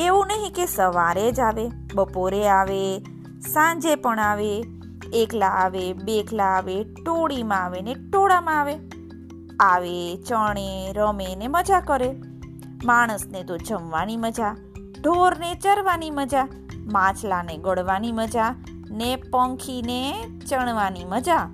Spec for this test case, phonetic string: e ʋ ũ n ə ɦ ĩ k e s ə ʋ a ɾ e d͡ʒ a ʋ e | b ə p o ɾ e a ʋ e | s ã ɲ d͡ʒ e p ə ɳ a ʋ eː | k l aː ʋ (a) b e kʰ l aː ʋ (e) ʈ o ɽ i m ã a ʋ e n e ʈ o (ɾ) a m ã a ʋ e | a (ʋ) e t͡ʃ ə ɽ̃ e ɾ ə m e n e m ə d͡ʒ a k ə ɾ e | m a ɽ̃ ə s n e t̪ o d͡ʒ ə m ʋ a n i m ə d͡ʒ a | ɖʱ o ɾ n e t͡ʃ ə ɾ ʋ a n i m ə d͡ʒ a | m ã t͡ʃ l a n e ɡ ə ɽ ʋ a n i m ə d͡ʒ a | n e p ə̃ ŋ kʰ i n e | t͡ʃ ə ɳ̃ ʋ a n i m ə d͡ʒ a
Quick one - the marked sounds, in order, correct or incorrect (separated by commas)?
incorrect, correct, incorrect, correct